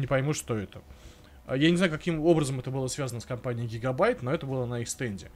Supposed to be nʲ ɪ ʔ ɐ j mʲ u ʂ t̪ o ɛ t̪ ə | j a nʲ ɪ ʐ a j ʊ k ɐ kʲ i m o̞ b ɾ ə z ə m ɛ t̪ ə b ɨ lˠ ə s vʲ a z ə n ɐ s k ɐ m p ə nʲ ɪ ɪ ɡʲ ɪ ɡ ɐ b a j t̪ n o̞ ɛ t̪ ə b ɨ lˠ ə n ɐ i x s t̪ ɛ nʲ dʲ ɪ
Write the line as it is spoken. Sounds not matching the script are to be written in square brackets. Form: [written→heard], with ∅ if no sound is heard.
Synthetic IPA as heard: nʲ ɪ [ʔ→p] ɐ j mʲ u ʂ t̪ o ɛ t̪ ə | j a nʲ ɪ [ʐ→z] a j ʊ k ɐ kʲ i m o̞ b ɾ ə z ə m ɛ t̪ ə b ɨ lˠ ə s vʲ a z ə n [ɐ→ə] s k ɐ m p [ə→a] nʲ ɪ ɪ ɡʲ ɪ ɡ ɐ b a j t̪ n o̞ ɛ t̪ ə b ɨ lˠ ə n ɐ i x s t̪ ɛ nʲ dʲ ɪ